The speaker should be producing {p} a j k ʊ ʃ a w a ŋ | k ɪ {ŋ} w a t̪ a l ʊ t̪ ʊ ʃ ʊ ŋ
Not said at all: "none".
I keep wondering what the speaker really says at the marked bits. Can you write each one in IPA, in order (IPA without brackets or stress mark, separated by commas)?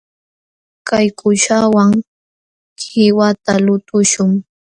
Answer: k, none